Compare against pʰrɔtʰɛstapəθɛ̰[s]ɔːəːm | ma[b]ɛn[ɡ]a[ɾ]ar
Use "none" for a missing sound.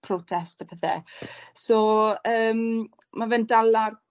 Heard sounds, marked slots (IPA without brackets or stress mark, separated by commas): s, v, d, l